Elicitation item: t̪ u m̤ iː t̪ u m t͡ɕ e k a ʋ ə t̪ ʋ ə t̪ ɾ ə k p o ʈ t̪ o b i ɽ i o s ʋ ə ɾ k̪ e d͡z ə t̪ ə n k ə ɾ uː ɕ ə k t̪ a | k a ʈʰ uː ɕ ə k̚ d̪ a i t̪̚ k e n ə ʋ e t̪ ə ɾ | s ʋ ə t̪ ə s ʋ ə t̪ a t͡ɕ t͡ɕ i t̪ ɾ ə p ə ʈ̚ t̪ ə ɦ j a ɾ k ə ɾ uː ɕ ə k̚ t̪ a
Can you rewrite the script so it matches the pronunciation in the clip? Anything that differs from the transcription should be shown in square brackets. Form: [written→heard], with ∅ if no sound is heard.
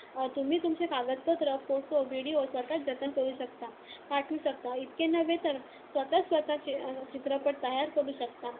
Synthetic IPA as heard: t̪ u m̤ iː t̪ u m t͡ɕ e k a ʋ ə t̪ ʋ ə t̪ ɾ ə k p o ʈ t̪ o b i ɽ i o s ʋ ə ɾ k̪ [e→a] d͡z ə t̪ ə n k ə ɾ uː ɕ ə k t̪ a | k a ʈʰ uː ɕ ə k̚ [d̪→t̪] a i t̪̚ k e n ə ʋ e t̪ ə ɾ | s ʋ ə t̪ ə s ʋ ə t̪ a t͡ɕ t͡ɕ i t̪ ɾ ə p ə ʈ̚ t̪ ə ɦ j a ɾ k ə ɾ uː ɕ ə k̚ t̪ a